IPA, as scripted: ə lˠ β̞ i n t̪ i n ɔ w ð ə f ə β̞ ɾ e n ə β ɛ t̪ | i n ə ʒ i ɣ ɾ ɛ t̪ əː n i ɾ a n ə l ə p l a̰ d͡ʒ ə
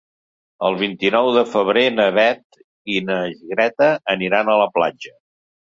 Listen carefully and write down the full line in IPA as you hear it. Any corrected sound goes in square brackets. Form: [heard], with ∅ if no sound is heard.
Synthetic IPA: ə lˠ β̞ i n t̪ i n ɔ w ð ə f ə β̞ ɾ e n ə β ɛ t̪ | i n ə ʒ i ɣ ɾ ɛ t̪ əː n i ɾ a n ə l ə p l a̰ d͡ʒ ə